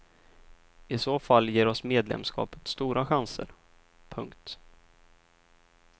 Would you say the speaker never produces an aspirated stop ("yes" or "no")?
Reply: no